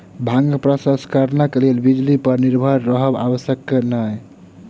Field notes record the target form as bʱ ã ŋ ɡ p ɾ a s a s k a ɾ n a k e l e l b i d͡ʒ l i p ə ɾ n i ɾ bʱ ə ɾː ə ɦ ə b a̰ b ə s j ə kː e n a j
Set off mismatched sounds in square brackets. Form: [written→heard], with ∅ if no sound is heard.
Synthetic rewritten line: bʱ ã ŋ ɡ p ɾ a s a s k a ɾ n a k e l e l b i d͡ʒ l i p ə ɾ n i ɾ bʱ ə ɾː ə ɦ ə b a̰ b ə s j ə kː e n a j